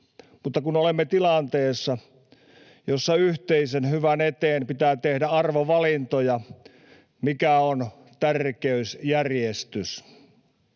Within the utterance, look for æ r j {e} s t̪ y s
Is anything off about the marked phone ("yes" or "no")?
no